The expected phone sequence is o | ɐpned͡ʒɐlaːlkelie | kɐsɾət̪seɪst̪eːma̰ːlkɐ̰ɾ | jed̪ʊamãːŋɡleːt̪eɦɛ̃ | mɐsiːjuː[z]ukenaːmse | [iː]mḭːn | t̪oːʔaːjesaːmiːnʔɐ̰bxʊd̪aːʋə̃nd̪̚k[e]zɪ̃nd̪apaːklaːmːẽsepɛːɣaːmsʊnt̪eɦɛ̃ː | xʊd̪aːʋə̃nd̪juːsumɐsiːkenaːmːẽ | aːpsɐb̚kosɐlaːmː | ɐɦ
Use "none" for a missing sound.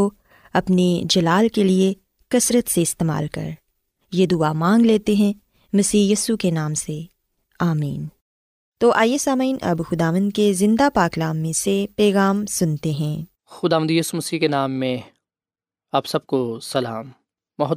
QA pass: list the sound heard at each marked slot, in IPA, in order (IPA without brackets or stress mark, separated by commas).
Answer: s, aː, e